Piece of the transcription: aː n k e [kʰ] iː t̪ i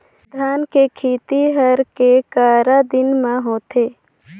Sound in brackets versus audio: correct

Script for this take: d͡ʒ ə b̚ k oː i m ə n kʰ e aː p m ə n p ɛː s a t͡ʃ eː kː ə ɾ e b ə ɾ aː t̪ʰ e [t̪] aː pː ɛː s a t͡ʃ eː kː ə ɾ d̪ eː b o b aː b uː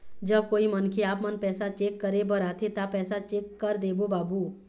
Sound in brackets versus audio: correct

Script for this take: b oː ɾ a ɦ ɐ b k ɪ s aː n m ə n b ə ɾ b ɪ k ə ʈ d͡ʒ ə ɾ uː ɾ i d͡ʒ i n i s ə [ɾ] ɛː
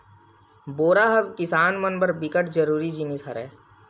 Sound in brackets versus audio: correct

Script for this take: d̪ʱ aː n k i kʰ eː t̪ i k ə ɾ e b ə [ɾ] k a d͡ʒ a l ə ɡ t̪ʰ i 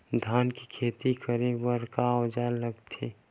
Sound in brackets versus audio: correct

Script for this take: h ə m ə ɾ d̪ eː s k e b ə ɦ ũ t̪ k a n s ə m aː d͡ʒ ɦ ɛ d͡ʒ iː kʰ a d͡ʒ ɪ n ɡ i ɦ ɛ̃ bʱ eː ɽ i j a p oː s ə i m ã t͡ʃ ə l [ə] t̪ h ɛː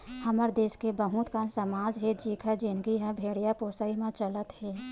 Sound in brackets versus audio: correct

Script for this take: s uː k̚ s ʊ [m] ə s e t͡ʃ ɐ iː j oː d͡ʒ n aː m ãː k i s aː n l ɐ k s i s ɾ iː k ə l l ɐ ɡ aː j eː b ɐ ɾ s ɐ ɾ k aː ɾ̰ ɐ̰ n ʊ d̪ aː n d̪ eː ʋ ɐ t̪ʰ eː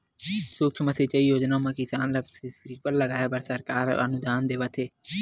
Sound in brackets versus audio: correct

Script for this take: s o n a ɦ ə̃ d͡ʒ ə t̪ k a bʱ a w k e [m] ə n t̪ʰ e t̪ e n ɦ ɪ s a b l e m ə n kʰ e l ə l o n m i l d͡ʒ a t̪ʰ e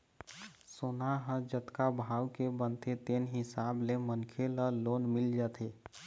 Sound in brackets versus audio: incorrect: b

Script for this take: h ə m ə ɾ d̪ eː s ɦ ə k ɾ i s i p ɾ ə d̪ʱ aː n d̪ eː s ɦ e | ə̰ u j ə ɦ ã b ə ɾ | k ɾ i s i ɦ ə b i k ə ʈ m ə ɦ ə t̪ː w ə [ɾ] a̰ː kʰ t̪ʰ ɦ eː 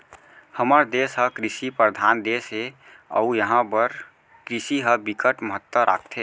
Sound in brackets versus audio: correct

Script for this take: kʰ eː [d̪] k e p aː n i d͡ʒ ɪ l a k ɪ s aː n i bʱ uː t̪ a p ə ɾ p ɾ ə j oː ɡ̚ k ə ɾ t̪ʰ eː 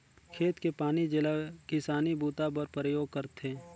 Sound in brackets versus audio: incorrect: t̪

